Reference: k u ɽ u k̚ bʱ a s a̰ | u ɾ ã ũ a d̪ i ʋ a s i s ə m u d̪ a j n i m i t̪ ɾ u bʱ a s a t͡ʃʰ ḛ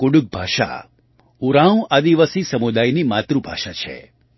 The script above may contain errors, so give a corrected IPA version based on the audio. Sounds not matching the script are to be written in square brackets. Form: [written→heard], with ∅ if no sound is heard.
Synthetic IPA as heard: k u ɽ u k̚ bʱ a [s→ʃ] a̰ | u ɾ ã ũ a d̪ i ʋ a s i s ə m u d̪ a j n i m [i→a] t̪ ɾ u bʱ a [s→ʃ] a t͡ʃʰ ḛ